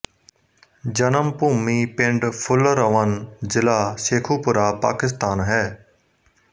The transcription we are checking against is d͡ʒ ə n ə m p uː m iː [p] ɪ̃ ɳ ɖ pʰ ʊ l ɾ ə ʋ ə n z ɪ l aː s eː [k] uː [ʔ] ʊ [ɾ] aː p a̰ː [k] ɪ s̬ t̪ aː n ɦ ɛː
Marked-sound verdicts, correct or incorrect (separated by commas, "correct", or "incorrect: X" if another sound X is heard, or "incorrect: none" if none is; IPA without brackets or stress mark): correct, incorrect: kʰ, incorrect: p, correct, correct